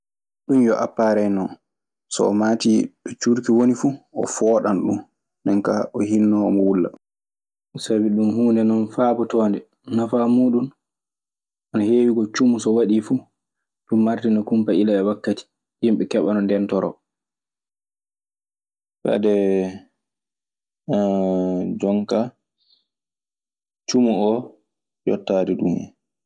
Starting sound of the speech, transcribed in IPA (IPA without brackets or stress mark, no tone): ɗ